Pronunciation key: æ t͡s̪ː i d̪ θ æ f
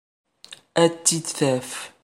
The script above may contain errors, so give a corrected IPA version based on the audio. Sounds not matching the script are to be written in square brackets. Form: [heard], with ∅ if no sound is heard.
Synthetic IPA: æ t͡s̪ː i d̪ θ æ f